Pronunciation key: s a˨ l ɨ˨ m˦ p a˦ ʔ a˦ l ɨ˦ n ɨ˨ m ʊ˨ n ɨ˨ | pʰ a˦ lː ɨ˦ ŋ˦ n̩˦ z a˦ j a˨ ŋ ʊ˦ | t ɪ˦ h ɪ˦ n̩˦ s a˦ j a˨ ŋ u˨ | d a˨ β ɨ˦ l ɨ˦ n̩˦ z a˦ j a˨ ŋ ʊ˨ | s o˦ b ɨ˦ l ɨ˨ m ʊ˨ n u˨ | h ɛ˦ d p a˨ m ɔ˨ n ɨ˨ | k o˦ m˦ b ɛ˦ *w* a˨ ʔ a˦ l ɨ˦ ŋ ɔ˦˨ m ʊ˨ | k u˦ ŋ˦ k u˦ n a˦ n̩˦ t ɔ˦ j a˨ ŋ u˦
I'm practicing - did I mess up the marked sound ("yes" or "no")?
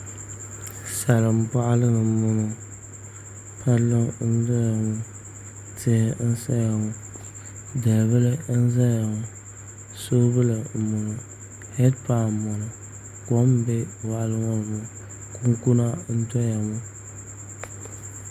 no